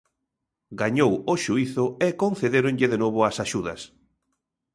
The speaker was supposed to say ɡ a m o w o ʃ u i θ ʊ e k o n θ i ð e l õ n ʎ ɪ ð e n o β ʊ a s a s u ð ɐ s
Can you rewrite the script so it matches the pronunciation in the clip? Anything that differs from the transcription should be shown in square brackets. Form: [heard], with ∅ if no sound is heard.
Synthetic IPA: ɡ a [ɲ] o w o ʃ u i θ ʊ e k o n θ [e] ð e [ɾ] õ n ʎ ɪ ð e n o β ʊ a s a [ʃ] u ð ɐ s